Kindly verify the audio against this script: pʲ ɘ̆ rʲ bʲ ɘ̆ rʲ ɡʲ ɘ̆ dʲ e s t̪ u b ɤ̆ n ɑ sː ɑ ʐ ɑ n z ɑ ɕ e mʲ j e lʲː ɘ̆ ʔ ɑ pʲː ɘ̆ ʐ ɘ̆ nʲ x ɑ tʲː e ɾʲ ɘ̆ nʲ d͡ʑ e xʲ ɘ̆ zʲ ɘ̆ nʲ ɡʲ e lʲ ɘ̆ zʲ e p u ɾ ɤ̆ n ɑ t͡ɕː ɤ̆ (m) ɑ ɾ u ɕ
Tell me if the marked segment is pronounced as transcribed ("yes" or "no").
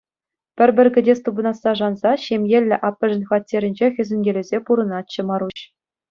yes